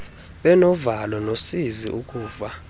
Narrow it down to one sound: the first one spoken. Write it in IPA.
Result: ɓ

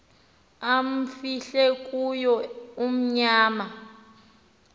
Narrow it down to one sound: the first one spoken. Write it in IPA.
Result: a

